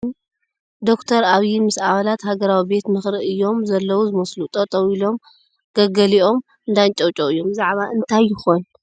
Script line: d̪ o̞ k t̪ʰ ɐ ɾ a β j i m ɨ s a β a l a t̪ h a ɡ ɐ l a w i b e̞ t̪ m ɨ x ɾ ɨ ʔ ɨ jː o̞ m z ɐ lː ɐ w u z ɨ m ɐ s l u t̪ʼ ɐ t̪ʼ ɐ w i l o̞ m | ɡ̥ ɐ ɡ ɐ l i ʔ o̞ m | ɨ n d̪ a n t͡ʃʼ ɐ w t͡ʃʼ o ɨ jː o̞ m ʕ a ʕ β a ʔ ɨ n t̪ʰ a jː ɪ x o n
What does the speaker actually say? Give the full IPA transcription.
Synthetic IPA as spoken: d̪ o̞ k t̪ʰ ɐ ɾ a β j i m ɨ s a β a l a t̪ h a ɡ ɐ ɾ a w i b e̞ t̪ m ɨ x ɾ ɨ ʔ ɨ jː o̞ m z ɐ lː ɐ w u z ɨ m ɐ s l u t̪ʼ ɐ t̪ʼ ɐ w i l o̞ m | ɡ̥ ɐ ɡ ɐ l i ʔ o̞ m | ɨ n d̪ a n t͡ʃʼ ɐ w t͡ʃʼ o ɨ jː o̞ m z a ʕ β a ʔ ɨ n t̪ʰ a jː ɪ x o n